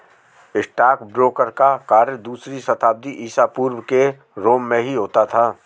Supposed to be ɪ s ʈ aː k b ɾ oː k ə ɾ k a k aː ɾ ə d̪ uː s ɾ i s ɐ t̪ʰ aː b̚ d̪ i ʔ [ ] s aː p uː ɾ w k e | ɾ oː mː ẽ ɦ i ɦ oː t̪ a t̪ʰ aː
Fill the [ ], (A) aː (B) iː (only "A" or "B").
B